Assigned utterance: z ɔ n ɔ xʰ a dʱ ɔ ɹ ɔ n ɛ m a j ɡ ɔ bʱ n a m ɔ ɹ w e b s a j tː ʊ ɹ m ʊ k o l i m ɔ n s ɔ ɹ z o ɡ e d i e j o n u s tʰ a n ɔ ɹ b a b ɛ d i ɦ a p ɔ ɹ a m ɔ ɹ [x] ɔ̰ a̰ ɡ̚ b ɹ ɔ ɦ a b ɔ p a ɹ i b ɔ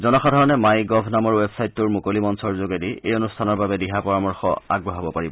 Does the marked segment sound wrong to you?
no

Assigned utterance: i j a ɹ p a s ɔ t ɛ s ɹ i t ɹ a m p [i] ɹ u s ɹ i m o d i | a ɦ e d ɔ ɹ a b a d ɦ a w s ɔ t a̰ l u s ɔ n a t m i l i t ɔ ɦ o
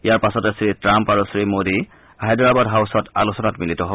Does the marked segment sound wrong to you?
yes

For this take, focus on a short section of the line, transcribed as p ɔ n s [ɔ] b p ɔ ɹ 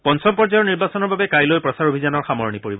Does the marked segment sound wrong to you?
no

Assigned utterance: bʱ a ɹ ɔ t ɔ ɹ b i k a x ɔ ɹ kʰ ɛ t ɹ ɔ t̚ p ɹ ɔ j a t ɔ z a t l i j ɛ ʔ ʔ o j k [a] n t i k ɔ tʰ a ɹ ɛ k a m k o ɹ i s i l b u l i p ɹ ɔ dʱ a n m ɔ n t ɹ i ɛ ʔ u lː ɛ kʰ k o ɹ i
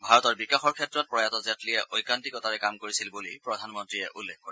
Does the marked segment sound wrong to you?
no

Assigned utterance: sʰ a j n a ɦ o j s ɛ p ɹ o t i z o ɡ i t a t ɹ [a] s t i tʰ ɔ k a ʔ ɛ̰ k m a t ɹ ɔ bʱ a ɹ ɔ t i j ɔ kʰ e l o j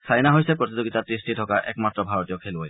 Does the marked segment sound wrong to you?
yes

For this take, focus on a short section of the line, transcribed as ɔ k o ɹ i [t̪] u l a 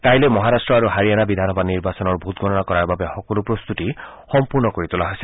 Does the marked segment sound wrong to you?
no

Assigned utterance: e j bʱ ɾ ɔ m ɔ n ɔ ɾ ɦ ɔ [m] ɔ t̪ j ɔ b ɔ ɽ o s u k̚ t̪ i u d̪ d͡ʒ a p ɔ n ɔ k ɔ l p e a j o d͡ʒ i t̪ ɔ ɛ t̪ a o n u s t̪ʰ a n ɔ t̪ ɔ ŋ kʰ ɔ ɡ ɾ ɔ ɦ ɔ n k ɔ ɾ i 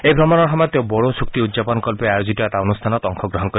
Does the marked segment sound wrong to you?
no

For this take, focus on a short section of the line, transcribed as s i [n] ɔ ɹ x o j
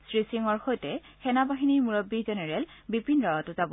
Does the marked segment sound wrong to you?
yes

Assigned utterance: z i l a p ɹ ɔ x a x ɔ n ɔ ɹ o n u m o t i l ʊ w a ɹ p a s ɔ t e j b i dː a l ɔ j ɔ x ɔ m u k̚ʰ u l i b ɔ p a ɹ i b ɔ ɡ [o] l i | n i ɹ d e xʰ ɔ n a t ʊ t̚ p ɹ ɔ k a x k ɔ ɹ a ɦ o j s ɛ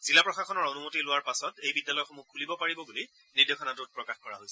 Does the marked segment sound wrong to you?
yes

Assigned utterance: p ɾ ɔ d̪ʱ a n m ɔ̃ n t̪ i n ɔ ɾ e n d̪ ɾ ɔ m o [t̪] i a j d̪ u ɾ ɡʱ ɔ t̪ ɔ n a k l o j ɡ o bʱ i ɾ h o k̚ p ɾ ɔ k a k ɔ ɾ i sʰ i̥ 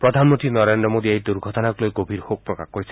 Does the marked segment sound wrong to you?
yes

